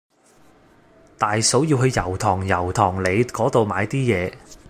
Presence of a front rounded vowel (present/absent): absent